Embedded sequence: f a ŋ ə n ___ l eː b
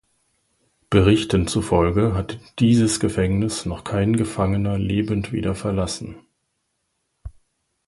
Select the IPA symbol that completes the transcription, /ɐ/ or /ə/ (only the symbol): ɐ